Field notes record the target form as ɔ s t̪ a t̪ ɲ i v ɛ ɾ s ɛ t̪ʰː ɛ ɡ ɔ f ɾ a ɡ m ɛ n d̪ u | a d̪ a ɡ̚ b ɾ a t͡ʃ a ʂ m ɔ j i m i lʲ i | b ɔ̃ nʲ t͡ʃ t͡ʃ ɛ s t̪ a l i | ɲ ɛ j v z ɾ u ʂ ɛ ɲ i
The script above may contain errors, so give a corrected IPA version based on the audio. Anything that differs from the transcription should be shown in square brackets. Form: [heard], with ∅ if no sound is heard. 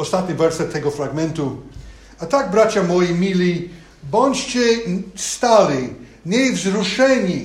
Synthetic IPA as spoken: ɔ s t̪ a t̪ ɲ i v ɛ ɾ s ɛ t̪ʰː ɛ ɡ ɔ f ɾ a ɡ m ɛ n [t̪] u | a [t̪] a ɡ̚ b ɾ a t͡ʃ a [∅] m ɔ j i m i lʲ i | b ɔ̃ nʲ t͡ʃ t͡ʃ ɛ s t̪ a l i | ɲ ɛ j v z ɾ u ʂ ɛ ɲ i